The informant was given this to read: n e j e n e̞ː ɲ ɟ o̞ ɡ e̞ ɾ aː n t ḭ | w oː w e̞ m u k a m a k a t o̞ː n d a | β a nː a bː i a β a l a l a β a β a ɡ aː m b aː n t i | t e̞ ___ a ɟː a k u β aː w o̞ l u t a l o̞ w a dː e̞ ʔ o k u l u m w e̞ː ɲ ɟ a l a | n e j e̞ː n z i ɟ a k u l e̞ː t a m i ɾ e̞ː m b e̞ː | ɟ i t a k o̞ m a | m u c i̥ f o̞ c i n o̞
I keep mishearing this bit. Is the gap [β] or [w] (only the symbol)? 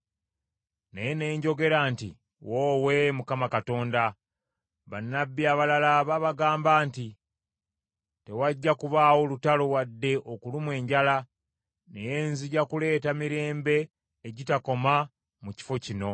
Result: w